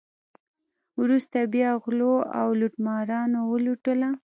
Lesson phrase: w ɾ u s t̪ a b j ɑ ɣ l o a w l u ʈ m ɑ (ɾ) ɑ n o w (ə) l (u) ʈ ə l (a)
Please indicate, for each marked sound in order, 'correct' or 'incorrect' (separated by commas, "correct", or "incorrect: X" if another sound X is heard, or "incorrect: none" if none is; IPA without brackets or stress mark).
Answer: correct, correct, correct, correct